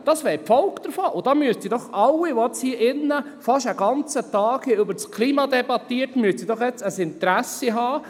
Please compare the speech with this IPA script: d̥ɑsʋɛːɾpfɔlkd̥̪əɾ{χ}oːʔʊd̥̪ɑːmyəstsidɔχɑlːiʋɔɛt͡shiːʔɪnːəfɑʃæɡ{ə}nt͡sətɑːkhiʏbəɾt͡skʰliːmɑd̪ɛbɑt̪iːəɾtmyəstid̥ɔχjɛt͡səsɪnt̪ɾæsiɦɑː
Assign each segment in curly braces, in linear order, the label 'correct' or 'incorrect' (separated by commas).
incorrect, incorrect